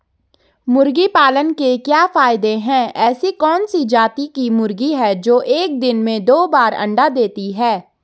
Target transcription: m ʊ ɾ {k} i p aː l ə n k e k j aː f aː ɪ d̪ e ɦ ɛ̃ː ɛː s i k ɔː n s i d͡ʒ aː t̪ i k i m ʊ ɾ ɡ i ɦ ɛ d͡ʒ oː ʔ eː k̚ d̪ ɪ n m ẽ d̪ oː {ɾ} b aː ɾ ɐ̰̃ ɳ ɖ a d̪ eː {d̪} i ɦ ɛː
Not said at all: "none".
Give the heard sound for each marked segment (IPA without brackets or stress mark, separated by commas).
ɡ, none, t̪